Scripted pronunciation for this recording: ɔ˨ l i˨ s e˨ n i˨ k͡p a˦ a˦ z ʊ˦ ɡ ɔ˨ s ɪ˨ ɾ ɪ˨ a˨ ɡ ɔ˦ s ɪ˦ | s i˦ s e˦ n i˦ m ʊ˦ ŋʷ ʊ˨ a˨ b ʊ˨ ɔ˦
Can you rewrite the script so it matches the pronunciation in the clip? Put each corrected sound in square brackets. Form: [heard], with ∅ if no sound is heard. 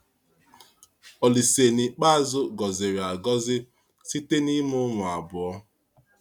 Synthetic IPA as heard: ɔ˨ l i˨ s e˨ n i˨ k͡p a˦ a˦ z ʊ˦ ɡ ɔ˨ [z] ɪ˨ ɾ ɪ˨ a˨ ɡ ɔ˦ [z] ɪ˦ | s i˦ [t] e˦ n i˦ m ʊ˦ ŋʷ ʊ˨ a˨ b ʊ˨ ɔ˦